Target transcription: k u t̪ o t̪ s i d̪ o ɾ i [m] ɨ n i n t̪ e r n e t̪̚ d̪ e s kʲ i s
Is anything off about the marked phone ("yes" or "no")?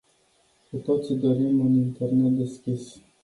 no